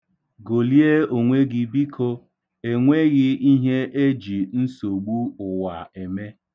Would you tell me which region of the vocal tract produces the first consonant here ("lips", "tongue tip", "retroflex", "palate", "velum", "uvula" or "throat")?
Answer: velum